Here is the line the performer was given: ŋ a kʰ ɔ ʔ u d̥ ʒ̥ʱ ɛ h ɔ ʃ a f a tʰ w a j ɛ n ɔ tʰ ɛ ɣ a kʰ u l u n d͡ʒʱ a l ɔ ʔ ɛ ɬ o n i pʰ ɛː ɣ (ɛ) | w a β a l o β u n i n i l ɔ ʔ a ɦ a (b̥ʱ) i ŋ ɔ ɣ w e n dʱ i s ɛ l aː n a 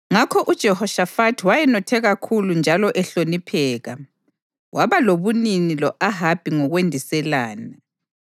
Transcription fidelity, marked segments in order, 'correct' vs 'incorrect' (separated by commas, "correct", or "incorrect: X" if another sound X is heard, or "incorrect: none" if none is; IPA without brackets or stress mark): incorrect: a, correct